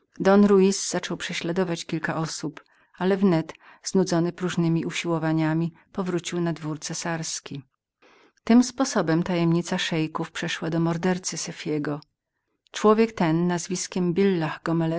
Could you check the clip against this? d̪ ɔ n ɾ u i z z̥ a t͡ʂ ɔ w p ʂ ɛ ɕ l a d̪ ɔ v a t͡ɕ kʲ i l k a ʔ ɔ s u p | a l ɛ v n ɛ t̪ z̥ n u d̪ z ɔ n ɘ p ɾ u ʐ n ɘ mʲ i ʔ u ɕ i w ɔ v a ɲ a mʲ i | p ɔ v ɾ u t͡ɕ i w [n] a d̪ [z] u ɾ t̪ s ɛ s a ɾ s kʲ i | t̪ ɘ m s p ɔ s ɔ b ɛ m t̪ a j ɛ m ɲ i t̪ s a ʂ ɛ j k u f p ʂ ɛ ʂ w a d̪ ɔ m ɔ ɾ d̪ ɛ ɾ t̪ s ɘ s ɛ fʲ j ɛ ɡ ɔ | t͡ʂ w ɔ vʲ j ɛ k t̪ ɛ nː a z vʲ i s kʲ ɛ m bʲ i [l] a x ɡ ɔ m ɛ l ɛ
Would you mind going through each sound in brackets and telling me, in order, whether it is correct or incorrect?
correct, incorrect: v, incorrect: lː

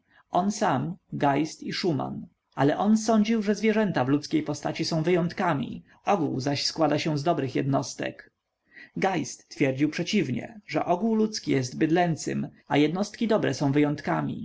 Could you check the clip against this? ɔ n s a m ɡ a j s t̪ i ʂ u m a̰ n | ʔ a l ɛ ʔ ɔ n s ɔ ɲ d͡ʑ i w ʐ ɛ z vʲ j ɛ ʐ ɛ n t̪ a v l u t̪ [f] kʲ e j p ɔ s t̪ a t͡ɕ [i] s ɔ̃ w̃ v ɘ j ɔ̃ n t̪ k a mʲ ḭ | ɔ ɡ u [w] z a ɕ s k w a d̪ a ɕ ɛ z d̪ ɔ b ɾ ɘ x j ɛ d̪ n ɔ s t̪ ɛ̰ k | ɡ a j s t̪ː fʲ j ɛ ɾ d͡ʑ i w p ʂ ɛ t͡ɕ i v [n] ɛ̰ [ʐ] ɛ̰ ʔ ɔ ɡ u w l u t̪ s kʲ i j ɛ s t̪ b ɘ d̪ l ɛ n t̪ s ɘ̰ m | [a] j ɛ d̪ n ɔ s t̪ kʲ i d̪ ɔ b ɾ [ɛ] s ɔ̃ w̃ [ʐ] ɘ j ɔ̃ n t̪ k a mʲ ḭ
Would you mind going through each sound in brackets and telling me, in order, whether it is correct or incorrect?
incorrect: s, correct, correct, incorrect: ɲ, correct, correct, correct, incorrect: v

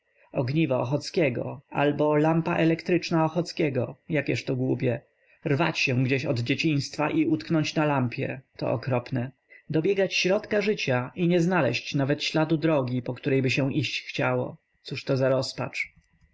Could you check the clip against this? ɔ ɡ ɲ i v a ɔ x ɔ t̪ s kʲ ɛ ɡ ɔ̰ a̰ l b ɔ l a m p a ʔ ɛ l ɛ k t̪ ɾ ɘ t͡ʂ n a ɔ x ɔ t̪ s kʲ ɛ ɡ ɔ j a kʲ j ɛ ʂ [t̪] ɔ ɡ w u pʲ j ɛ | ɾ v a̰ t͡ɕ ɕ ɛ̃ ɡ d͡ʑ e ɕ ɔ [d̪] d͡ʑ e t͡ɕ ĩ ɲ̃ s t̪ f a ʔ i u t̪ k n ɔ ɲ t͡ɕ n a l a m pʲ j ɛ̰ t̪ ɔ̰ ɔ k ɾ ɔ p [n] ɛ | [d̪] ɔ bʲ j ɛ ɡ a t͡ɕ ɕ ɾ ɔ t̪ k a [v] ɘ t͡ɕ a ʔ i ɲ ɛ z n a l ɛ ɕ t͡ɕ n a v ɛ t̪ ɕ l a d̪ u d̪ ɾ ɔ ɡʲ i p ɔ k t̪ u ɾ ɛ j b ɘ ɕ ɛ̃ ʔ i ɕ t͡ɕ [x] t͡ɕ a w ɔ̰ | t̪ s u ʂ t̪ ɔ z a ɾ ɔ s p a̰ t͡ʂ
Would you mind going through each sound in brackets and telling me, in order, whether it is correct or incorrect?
correct, correct, correct, correct, incorrect: ʐ, correct

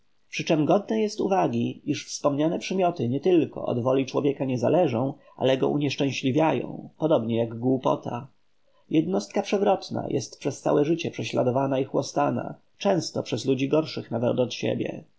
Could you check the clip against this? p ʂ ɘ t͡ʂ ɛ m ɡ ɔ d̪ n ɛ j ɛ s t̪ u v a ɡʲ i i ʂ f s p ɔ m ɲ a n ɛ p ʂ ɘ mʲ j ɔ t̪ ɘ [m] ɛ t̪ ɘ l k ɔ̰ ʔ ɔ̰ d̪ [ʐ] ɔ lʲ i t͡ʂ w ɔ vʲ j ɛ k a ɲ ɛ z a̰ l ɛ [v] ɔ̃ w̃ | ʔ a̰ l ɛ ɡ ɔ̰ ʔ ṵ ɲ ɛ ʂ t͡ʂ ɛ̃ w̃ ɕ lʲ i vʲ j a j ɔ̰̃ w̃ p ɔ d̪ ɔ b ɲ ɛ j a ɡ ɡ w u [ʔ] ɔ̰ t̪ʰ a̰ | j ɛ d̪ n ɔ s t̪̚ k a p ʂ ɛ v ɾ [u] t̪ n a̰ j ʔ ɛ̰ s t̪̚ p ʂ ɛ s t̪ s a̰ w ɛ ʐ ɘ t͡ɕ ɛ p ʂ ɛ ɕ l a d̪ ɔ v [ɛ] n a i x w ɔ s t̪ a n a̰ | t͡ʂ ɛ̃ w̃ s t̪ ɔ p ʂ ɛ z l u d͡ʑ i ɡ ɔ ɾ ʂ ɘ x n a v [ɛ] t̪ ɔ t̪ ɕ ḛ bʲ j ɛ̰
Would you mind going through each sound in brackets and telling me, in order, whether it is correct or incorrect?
incorrect: ɲ, incorrect: v, incorrect: ʐ, incorrect: p, incorrect: ɔ, incorrect: a, correct

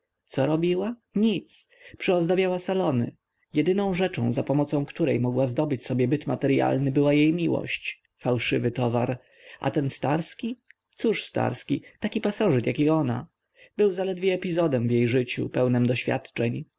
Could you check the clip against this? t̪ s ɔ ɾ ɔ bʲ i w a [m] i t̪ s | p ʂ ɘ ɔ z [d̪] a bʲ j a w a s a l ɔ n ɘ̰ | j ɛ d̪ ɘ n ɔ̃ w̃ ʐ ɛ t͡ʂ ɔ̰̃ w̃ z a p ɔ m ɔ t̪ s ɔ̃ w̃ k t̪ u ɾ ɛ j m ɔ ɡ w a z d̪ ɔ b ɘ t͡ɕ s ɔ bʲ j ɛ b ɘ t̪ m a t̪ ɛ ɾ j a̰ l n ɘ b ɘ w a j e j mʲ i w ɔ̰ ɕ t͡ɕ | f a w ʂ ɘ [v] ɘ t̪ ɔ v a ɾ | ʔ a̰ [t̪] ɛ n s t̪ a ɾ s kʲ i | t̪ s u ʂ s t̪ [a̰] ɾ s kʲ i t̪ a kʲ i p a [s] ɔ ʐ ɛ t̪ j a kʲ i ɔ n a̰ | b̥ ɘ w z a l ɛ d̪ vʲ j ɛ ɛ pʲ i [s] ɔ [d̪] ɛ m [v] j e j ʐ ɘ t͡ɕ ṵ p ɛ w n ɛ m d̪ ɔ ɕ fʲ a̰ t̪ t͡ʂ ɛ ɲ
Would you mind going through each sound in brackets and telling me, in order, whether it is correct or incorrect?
incorrect: ɲ, correct, correct, correct, correct, correct, incorrect: z, correct, correct

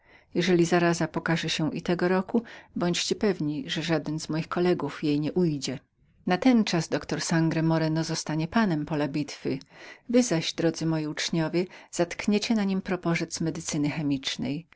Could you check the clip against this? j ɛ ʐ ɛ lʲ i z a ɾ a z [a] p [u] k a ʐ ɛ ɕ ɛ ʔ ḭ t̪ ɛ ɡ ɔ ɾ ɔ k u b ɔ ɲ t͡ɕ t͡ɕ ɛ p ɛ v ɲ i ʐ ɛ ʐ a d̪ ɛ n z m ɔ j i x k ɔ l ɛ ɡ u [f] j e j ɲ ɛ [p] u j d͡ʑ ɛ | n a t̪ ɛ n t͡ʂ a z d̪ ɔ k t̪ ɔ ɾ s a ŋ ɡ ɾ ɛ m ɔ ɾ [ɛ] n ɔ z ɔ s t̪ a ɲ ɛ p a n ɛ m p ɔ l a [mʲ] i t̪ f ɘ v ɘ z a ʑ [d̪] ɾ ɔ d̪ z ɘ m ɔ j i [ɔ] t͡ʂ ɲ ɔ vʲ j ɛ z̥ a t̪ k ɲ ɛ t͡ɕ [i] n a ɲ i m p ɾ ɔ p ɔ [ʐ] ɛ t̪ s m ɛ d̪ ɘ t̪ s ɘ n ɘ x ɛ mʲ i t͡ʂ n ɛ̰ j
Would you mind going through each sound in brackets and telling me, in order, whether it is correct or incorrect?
correct, incorrect: ɔ, correct, incorrect: ʔ, correct, incorrect: bʲ, correct, incorrect: u, incorrect: ɛ, correct

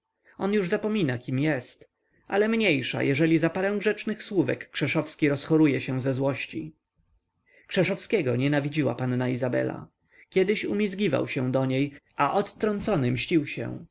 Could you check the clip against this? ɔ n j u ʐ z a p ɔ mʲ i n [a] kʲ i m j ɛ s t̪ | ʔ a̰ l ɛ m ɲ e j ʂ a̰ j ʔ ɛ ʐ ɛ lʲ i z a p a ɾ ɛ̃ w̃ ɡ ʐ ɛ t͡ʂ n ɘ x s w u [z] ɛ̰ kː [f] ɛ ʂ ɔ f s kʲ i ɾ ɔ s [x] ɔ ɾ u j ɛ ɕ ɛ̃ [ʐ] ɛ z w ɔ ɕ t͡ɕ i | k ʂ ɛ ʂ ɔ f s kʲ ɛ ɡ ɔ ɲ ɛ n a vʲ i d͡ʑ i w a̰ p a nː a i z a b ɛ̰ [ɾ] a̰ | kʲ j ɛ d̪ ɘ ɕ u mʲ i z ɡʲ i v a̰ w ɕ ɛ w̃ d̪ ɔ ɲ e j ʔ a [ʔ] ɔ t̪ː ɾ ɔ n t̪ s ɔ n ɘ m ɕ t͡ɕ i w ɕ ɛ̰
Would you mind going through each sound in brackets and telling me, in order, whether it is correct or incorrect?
correct, incorrect: v, incorrect: ʂ, correct, incorrect: z, incorrect: l, correct

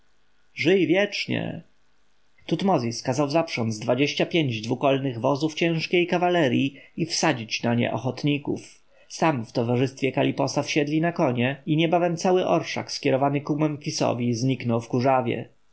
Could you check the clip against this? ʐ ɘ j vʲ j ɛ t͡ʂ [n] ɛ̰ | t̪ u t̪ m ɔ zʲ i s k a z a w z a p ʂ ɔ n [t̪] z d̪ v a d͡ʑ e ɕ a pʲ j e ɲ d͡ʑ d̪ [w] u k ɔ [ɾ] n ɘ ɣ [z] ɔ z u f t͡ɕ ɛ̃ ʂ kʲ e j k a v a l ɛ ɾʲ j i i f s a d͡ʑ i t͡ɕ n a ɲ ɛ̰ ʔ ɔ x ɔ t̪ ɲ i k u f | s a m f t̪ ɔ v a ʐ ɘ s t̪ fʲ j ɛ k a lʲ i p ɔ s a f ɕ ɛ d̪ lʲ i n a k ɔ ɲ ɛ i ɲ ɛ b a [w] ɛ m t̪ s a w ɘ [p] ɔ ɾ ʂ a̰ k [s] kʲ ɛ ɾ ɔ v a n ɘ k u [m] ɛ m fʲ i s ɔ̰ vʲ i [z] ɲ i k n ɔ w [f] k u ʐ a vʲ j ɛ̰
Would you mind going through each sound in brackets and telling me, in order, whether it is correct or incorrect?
incorrect: ɲ, incorrect: d̪, incorrect: v, incorrect: l, incorrect: v, incorrect: v, incorrect: ʔ, correct, correct, correct, correct

